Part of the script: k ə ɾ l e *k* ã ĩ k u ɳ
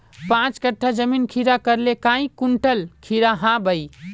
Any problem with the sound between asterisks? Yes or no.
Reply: no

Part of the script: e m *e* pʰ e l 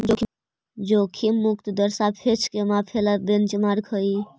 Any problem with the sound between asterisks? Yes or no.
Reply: yes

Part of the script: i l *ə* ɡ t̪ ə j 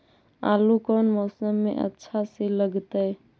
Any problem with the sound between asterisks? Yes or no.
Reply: no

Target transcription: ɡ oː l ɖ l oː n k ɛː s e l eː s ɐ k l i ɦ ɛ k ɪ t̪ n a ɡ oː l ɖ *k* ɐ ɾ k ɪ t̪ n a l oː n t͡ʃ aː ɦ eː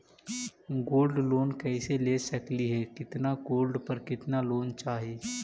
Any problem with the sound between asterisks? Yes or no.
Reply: yes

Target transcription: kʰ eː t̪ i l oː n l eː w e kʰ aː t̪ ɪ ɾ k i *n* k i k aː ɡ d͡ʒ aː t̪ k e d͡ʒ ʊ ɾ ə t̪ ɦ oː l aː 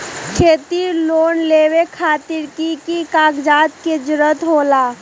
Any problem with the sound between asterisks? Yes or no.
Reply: yes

